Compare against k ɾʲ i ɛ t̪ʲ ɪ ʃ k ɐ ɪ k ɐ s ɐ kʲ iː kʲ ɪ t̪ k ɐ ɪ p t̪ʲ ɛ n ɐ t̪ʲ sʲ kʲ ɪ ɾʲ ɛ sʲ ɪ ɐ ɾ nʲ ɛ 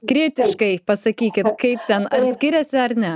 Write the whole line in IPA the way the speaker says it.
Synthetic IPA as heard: k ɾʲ i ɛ t̪ʲ ɪ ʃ k ɐ ɪ p ɐ s ɐ kʲ iː kʲ ɪ t̪ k ɐ ɪ p t̪ʲ ɛ n ɐ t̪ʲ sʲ kʲ ɪ ɾʲ ɛ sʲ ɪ ɐ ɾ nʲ ɛ